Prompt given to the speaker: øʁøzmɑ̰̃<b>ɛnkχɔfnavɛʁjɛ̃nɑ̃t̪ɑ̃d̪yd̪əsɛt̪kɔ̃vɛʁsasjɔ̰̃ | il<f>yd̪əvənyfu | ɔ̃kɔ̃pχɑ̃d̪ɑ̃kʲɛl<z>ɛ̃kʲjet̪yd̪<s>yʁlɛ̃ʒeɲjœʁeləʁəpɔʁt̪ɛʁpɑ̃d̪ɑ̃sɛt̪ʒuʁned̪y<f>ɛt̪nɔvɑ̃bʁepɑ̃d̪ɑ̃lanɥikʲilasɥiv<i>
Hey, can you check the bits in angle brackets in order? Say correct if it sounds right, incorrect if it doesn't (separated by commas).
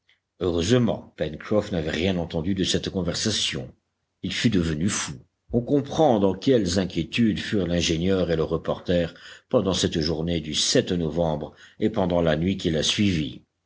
incorrect, correct, correct, incorrect, incorrect, correct